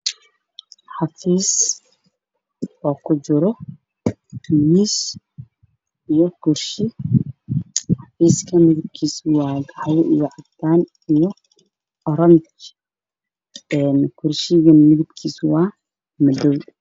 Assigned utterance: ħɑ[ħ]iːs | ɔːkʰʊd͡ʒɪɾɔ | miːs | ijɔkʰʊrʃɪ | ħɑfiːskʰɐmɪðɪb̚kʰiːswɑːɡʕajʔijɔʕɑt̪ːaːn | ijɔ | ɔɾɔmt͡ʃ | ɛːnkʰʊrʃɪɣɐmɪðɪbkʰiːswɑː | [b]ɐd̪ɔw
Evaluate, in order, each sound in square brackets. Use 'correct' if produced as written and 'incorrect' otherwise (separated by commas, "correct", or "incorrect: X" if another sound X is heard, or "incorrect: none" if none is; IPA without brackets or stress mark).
incorrect: f, incorrect: m